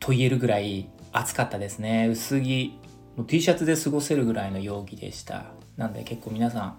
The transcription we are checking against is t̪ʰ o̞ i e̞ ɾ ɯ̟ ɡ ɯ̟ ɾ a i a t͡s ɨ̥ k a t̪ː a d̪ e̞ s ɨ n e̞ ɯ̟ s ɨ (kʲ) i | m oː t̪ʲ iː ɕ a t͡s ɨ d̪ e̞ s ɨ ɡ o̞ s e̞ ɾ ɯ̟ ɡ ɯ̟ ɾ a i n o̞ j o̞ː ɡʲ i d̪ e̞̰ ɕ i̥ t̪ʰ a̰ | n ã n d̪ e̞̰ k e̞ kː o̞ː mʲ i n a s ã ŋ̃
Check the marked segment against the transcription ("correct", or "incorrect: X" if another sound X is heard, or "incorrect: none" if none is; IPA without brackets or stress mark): incorrect: ɡʲ